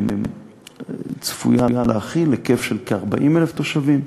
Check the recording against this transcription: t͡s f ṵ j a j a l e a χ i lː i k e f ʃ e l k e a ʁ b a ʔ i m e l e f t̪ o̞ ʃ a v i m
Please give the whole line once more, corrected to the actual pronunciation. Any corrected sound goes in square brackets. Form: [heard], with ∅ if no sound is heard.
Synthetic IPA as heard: t͡s f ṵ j a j a l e a χ i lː [e] k e f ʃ e l k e a ʁ b a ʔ i m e l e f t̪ o̞ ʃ a v i m